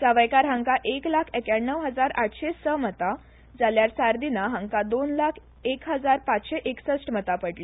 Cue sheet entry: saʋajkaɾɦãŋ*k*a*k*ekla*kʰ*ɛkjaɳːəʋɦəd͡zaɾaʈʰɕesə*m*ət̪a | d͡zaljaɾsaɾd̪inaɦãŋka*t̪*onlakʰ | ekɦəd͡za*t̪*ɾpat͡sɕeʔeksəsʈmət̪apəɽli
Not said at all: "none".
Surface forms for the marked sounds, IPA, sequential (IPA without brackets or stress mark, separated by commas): k, ʔ, kʰ, m, d̪, none